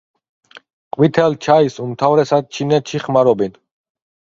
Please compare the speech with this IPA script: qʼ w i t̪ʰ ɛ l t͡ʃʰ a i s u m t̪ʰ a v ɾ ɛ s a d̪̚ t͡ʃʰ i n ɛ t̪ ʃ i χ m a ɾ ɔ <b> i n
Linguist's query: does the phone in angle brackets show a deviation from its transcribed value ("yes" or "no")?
no